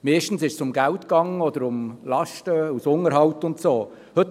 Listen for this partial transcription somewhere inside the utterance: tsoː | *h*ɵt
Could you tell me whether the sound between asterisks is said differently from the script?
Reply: no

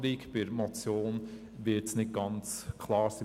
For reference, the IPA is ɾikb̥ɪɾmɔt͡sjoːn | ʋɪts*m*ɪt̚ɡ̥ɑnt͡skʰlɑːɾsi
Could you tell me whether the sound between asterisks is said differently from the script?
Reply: yes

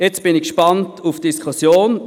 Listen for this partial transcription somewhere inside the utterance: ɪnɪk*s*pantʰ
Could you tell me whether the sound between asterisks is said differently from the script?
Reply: yes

